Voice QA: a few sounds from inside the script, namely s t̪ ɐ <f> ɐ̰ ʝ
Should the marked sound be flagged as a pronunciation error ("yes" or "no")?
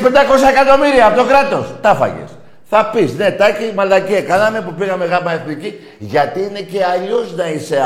no